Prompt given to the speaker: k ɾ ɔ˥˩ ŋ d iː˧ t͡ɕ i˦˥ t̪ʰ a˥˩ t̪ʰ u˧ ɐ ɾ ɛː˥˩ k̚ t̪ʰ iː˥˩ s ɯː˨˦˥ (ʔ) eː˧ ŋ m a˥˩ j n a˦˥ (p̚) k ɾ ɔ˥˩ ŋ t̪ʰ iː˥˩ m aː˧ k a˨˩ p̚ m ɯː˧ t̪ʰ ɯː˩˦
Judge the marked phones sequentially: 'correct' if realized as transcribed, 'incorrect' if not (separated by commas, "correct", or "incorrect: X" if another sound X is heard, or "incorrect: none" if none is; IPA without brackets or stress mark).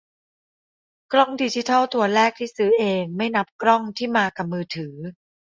correct, correct